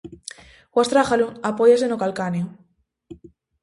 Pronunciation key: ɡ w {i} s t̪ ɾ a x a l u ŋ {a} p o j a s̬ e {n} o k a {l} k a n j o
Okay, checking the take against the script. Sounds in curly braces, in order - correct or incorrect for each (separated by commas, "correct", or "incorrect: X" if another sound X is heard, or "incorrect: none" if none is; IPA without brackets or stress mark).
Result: incorrect: a, correct, correct, correct